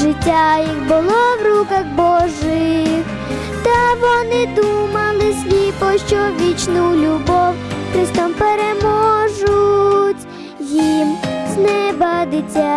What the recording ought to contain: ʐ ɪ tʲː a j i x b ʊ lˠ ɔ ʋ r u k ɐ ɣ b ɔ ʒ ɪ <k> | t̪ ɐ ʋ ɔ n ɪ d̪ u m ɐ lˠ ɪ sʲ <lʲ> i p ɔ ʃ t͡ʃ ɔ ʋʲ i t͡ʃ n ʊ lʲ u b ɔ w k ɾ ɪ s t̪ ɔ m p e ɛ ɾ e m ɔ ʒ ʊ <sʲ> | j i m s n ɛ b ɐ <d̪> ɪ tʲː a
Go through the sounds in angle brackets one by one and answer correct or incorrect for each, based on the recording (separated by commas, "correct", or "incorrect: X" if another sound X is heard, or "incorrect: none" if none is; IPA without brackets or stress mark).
incorrect: x, correct, incorrect: tʲ, correct